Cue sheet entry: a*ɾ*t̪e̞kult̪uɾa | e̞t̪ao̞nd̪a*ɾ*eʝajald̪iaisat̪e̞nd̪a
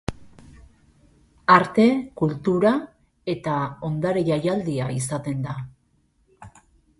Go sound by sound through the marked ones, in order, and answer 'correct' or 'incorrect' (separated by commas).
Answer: correct, correct